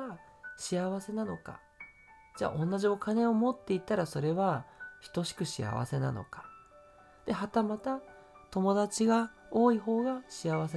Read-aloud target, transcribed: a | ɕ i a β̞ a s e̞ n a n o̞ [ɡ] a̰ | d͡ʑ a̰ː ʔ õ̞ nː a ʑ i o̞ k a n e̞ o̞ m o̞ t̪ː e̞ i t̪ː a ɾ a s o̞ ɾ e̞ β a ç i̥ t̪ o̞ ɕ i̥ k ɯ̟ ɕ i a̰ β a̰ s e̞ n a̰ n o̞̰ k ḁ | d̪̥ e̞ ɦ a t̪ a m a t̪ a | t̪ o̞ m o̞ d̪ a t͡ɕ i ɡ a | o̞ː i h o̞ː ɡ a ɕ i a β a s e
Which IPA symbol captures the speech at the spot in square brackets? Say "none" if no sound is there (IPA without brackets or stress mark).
k